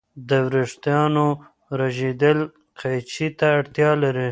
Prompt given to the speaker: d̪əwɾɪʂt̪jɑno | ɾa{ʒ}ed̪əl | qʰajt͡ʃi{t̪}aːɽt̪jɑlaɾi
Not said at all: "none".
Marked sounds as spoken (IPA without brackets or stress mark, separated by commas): ʒ, t̪